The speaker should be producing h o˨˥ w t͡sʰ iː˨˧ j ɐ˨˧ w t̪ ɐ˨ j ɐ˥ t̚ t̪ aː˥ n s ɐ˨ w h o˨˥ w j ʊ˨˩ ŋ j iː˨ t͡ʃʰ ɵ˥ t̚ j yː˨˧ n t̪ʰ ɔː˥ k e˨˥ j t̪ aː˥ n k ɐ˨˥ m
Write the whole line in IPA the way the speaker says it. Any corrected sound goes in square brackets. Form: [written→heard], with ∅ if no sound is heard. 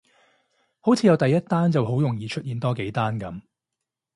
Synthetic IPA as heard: h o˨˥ w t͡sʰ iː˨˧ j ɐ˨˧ w t̪ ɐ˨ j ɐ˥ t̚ t̪ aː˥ n [s→t͡s] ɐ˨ w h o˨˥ w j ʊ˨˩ ŋ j iː˨ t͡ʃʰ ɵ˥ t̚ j [yː˨˧→iː˨˧] n [t̪ʰ→t̪] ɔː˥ k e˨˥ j t̪ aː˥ n k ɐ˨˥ m